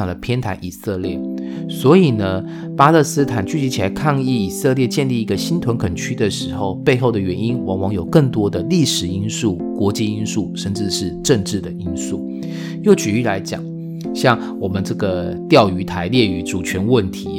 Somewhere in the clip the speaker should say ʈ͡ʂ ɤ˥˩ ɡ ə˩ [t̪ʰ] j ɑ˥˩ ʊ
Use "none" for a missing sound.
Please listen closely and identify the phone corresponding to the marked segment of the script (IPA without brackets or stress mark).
t̪